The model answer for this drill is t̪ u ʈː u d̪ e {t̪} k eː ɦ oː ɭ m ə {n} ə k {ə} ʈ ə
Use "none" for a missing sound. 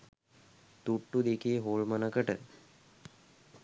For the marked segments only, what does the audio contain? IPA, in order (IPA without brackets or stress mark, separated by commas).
none, n, ə